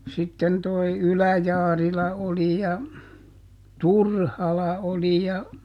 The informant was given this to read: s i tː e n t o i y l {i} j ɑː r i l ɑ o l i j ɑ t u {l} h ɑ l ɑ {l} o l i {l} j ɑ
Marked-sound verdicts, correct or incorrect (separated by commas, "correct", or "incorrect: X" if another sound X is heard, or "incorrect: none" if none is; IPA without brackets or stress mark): incorrect: æ, incorrect: r, incorrect: none, incorrect: none